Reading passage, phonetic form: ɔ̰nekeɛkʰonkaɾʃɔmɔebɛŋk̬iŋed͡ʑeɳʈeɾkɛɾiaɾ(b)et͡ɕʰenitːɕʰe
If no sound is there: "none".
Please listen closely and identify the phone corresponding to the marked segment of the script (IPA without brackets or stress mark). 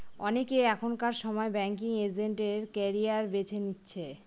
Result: b